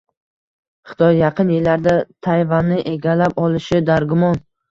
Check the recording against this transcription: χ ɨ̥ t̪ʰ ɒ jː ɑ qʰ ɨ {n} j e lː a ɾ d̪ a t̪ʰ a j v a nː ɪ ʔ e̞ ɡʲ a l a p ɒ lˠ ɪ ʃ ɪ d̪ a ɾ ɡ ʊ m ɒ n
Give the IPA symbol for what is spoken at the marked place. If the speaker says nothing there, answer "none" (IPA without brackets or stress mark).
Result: n